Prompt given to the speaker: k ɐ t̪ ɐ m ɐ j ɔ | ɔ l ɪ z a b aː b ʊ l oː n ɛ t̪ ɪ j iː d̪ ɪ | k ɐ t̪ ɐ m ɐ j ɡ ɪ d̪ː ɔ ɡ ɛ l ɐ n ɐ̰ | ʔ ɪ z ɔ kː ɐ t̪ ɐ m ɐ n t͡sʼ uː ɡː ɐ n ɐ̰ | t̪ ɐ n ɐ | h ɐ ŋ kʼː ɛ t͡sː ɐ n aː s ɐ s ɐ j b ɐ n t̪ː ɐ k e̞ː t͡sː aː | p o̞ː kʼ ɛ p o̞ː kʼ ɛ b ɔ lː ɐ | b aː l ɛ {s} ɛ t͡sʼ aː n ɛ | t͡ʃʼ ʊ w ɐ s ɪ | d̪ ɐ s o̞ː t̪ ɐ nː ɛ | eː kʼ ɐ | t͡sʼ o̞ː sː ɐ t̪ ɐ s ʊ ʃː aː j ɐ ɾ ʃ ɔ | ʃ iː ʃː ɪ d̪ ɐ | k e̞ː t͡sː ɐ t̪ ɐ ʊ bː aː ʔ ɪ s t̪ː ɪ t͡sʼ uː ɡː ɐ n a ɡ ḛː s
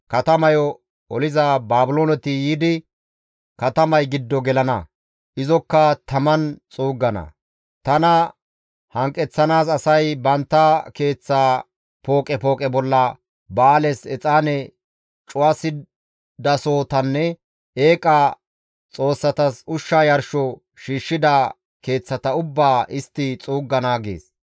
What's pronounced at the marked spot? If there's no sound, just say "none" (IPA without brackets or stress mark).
s